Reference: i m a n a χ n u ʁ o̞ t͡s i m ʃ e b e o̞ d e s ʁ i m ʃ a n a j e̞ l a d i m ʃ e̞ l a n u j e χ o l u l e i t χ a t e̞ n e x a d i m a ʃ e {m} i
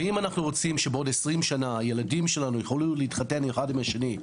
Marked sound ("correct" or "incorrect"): incorrect